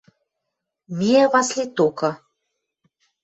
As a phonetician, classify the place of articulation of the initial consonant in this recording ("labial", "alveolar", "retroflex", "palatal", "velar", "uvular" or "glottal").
labial